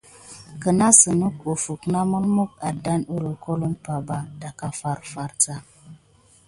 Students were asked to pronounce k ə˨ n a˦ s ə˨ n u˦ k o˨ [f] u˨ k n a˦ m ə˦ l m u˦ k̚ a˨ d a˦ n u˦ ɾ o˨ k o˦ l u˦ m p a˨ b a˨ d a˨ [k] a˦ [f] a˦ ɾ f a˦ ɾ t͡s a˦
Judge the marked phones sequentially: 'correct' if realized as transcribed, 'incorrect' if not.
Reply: correct, correct, correct

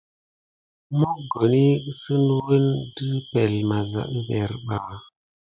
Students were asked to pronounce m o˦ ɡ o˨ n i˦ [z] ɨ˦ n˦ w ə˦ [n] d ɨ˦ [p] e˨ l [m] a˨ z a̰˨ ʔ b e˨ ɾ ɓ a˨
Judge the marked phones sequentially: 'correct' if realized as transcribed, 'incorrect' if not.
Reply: incorrect: s, correct, correct, correct

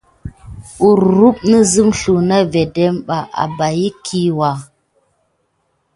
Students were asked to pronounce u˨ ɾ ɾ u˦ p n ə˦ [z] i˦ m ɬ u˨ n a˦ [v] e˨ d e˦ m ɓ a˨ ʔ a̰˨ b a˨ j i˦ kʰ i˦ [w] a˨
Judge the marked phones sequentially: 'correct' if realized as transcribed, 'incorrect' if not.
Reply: correct, correct, correct

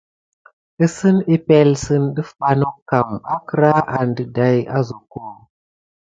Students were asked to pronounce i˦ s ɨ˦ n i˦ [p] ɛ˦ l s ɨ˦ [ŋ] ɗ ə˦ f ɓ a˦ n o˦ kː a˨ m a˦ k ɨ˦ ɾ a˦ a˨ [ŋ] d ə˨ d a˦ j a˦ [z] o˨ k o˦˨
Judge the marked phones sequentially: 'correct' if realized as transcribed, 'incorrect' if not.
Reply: correct, incorrect: n, incorrect: n, correct

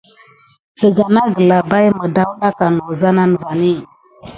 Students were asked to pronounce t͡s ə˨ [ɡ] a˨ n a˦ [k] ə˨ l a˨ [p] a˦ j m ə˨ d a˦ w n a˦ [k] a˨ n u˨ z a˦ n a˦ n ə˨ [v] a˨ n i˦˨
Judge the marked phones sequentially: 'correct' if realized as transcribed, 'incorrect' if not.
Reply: correct, incorrect: ɡ, incorrect: b, correct, correct

